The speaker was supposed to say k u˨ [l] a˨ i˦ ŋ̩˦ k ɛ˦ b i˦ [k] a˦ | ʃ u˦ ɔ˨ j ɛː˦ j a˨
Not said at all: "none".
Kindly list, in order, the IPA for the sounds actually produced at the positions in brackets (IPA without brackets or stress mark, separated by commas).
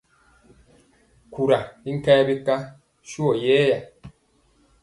ɾ, k